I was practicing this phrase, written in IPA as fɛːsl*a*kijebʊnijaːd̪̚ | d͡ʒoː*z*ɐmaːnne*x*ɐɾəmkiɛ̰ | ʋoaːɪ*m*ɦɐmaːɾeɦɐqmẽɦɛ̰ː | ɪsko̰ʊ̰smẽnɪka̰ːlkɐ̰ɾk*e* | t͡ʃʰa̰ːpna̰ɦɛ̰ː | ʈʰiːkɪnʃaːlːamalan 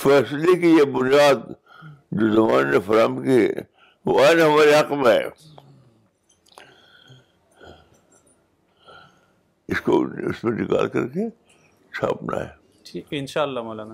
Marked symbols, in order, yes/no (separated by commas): no, yes, no, no, yes